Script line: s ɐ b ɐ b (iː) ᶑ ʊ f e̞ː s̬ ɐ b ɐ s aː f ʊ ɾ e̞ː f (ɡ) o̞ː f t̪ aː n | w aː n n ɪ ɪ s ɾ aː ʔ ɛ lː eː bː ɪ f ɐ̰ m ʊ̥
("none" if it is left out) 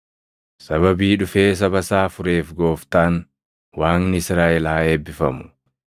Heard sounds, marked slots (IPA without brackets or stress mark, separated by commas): iː, ɡ